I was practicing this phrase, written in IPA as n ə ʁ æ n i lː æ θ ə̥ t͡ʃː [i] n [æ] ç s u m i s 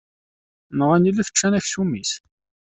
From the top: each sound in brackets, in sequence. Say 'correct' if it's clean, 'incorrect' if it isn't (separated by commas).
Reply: incorrect, correct